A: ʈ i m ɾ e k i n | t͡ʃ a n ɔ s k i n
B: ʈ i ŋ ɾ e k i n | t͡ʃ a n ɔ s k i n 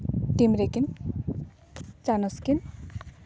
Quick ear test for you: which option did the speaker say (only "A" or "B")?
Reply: A